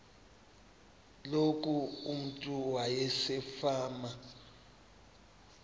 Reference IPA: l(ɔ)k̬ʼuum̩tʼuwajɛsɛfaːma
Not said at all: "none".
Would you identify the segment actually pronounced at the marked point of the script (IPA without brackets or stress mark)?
o